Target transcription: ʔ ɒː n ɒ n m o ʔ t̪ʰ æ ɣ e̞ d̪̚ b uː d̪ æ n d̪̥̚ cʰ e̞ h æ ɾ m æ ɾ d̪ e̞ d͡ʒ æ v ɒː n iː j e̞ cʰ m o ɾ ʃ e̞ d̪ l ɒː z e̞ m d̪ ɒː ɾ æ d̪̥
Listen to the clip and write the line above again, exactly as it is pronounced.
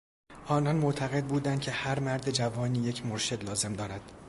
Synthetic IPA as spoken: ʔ ɒː n ɒ n m o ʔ t̪ʰ æ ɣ e̞ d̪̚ b uː d̪ æ n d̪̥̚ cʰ e̞ h æ ɾ m æ ɾ d̪ e̞ d͡ʒ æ v ɒː n iː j e̞ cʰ m o ɾ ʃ e̞ d̪ l ɒː z e̞ m d̪ ɒː ɾ æ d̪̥